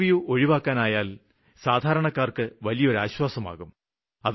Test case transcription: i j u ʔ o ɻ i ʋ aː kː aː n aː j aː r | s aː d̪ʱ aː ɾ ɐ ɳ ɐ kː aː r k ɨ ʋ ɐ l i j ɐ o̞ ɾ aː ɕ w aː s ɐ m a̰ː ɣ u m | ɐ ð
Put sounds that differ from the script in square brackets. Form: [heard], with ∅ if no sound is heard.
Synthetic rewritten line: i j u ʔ o ɻ i ʋ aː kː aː n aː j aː [l] | s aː d̪ʱ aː ɾ ɐ ɳ ɐ kː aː r k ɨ ʋ ɐ l i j ɐ o̞ ɾ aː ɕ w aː s ɐ m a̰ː ɣ u m | ɐ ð

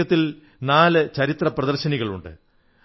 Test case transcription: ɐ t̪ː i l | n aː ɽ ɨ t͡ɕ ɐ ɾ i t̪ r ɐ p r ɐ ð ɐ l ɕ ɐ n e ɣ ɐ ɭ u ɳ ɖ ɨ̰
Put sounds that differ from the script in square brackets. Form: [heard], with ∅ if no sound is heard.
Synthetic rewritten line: ɐ t̪ː i l | n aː [l] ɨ t͡ɕ ɐ ɾ i t̪ r ɐ p r ɐ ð ɐ [r] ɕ ɐ n [i] ɣ ɐ ɭ u ɳ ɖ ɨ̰

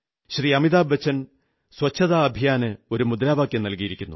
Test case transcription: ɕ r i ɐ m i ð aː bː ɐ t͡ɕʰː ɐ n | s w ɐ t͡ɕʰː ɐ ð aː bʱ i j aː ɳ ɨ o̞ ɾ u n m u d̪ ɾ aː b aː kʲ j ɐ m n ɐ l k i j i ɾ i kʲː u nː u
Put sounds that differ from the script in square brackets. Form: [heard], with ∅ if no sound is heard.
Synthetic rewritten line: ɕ r i ɐ m i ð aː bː ɐ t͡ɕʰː ɐ n | s w ɐ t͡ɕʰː ɐ ð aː bʱ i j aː [n] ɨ o̞ ɾ u [∅] m u d̪ ɾ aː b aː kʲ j ɐ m n ɐ l k i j i ɾ i kʲː u nː u

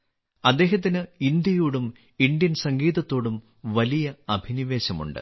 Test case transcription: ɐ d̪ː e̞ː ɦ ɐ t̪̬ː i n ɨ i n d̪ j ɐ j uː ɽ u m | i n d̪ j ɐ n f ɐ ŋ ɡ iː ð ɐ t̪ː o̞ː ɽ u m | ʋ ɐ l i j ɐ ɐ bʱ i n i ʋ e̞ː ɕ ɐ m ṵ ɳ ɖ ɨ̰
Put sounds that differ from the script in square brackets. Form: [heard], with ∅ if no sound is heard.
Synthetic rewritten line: ɐ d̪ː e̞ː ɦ ɐ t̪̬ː i n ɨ i n d̪ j ɐ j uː ɽ u m | i n d̪ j ɐ n [s] ɐ ŋ ɡ iː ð ɐ t̪ː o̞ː ɽ u m | ʋ ɐ l i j ɐ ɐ bʱ i n i ʋ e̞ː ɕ ɐ m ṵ ɳ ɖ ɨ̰

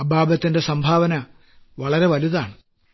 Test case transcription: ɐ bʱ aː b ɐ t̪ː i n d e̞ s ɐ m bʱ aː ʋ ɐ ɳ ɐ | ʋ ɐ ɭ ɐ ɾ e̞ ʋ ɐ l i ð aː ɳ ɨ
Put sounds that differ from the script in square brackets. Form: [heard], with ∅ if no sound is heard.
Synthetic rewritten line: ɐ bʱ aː b ɐ t̪ː i n d e̞ s ɐ m bʱ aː ʋ ɐ [n] ɐ | ʋ ɐ ɭ ɐ ɾ e̞ ʋ ɐ l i ð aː ɳ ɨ

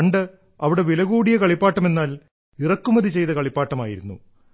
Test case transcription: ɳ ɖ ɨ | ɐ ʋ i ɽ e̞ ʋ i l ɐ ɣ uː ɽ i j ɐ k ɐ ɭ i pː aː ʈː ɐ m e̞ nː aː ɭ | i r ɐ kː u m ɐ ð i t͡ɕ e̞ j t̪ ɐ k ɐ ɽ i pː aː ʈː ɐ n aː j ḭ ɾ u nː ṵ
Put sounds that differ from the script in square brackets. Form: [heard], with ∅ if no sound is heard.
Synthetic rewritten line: ɳ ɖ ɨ | ɐ ʋ i ɽ e̞ ʋ i l ɐ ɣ uː ɽ i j ɐ k ɐ ɭ i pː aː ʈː ɐ m e̞ nː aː [l] | i r ɐ kː u m ɐ ð i t͡ɕ e̞ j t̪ ɐ k ɐ [ɭ] i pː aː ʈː ɐ [m] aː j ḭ ɾ u nː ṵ

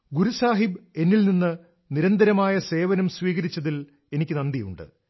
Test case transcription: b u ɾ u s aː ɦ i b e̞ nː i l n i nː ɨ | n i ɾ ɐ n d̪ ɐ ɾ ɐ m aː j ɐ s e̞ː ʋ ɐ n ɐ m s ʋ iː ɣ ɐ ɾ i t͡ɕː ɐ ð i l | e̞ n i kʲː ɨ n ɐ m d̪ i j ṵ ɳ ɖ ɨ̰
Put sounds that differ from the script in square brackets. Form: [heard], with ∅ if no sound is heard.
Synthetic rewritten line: [ɡ] u ɾ u s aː ɦ i b e̞ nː i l n i nː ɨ | n i ɾ ɐ n d̪ ɐ ɾ ɐ m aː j ɐ s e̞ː ʋ ɐ n ɐ m s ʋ iː ɣ ɐ ɾ i t͡ɕː ɐ ð i l | e̞ n i kʲː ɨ n ɐ [n] d̪ i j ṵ ɳ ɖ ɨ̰

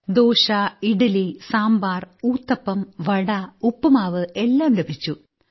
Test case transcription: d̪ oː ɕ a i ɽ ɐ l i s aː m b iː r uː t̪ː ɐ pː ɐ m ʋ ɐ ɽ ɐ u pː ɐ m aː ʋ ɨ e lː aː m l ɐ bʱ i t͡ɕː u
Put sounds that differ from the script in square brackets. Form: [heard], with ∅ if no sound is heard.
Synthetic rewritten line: d̪ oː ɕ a i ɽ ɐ l i s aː m b [aː] r uː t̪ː ɐ pː ɐ m ʋ ɐ ɽ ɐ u pː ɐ m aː ʋ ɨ e lː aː m l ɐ bʱ i t͡ɕː u

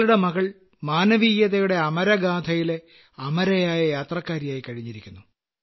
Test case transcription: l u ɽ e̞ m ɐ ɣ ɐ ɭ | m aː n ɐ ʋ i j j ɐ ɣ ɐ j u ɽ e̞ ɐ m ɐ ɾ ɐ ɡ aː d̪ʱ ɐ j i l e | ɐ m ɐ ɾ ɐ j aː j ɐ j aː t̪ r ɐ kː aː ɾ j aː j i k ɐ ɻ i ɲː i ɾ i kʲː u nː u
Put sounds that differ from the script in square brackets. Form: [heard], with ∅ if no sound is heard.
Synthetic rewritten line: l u ɽ e̞ m ɐ ɣ ɐ ɭ | m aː n ɐ ʋ i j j ɐ [ð] ɐ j u ɽ e̞ ɐ m ɐ ɾ ɐ ɡ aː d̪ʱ ɐ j i l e | ɐ m ɐ ɾ ɐ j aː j ɐ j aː t̪ r ɐ kː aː ɾ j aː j i k ɐ ɻ i ɲː i ɾ i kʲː u nː u

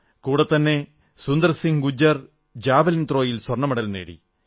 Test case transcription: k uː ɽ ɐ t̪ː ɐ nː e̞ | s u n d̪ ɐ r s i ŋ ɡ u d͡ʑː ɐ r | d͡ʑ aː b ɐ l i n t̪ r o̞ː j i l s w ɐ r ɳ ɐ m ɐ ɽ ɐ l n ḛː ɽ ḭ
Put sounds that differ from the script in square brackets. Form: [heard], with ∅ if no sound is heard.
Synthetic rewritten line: k uː ɽ ɐ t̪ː ɐ nː e̞ | s u n d̪ ɐ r s i ŋ ɡ u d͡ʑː ɐ r | d͡ʑ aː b ɐ l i n t̪ r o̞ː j i l s w ɐ r ɳ ɐ m ɐ ɽ ɐ l n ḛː ɽ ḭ

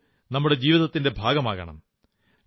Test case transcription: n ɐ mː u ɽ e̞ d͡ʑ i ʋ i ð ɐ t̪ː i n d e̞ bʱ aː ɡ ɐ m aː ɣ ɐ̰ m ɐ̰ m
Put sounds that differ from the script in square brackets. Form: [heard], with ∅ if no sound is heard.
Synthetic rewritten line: n ɐ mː u ɽ e̞ d͡ʑ [iː] ʋ i ð ɐ t̪ː i n d e̞ bʱ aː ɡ ɐ m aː ɣ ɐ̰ [ɳ] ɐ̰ m

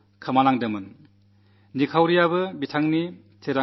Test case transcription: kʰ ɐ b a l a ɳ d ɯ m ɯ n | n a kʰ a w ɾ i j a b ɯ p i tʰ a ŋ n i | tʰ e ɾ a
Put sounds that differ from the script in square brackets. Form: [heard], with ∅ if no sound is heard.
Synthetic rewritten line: kʰ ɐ [m] a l a [ŋ] d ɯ m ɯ n | n [i] kʰ a w ɾ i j a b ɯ [b] i tʰ a ŋ n i | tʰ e ɾ a

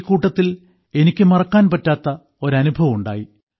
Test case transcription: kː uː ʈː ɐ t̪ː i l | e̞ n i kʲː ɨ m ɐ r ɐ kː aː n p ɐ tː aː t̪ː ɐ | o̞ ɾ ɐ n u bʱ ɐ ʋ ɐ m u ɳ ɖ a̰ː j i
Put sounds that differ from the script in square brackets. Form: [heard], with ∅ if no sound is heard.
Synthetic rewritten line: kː uː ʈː ɐ t̪ː i l | e̞ n i kʲː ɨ m ɐ r ɐ kː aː n p ɐ tː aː t̪ː ɐ | o̞ ɾ ɐ n u bʱ ɐ ʋ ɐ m u ɳ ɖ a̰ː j i

